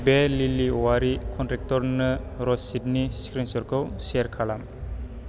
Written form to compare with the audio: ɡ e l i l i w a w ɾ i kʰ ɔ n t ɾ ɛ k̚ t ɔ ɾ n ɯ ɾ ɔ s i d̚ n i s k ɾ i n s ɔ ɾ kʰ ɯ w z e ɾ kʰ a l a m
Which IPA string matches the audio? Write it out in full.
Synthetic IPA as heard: b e l i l i w a ɾ i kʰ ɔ n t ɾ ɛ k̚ t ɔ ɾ n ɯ ɾ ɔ s i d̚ n i s k ɾ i n s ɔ ɾ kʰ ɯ w s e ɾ kʰ a l a m